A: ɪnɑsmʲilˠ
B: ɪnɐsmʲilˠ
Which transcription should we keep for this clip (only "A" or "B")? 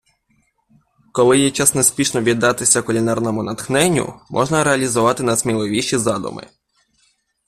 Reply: B